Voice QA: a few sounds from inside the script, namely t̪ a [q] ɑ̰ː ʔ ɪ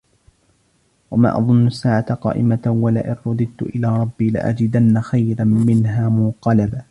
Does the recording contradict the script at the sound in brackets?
no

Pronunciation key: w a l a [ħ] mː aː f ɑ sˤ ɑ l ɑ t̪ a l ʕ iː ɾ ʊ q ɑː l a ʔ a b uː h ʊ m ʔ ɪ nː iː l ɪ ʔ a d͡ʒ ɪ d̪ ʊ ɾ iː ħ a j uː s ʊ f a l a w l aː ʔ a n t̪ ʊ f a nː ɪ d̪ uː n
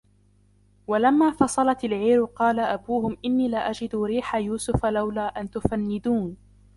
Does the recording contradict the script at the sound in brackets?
yes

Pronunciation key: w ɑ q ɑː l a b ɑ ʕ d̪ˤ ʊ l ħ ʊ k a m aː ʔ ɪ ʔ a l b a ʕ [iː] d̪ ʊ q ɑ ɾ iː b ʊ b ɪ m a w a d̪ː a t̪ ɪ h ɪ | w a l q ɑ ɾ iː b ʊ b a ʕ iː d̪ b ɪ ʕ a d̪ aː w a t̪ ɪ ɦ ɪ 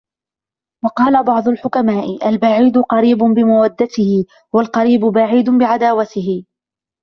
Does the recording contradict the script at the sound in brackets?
no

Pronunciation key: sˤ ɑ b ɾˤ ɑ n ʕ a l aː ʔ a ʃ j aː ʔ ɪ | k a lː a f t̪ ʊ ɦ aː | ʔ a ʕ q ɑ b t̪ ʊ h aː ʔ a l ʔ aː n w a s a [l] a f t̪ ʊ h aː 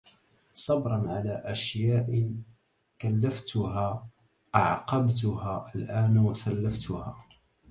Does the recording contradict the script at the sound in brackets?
yes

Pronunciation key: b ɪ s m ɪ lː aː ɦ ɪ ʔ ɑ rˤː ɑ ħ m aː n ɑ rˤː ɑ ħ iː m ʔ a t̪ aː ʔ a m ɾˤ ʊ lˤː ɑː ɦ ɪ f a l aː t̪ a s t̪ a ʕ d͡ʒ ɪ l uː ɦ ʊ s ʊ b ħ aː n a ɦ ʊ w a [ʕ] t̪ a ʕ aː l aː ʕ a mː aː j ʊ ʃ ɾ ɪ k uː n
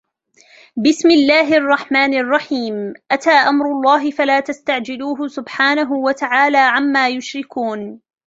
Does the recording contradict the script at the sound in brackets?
yes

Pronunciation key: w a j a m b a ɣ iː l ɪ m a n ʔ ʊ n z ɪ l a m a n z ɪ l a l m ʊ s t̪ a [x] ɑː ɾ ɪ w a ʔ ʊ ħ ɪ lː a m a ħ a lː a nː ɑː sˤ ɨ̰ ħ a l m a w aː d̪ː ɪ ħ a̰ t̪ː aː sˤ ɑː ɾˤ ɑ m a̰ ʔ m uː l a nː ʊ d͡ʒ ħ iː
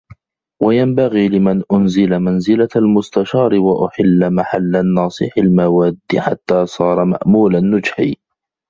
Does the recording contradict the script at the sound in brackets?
yes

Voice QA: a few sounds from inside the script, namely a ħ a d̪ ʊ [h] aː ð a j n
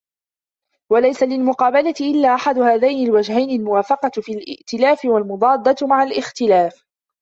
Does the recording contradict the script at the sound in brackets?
no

